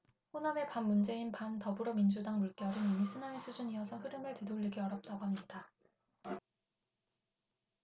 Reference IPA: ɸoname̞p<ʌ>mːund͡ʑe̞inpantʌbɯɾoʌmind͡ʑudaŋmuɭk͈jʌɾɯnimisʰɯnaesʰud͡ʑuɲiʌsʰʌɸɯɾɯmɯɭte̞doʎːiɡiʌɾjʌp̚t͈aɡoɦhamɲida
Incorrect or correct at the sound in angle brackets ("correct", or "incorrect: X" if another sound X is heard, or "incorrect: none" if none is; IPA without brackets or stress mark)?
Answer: incorrect: a